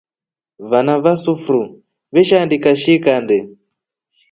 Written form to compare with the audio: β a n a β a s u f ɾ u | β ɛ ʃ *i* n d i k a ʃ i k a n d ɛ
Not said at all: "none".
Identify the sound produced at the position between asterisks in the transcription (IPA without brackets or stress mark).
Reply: a